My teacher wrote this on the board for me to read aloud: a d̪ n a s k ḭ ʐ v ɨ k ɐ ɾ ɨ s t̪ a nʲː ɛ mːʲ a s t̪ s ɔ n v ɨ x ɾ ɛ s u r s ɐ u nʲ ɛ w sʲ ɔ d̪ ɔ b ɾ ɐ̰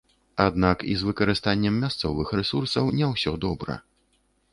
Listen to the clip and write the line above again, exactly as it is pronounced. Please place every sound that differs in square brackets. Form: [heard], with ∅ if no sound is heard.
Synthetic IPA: a d̪ n a [∅] k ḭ [z] v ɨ k ɐ ɾ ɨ s t̪ a nʲː ɛ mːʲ a s t̪ s ɔ [∅] v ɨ x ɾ ɛ s u r s ɐ [w] nʲ ɛ w sʲ ɔ d̪ ɔ b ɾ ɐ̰